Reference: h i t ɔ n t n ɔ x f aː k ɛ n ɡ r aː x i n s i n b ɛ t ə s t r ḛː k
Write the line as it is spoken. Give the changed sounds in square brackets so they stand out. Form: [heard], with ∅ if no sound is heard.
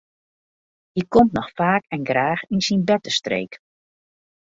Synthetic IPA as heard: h i [k] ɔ [m] t n ɔ x f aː k ɛ n ɡ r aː x i n s i n b ɛ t ə s t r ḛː k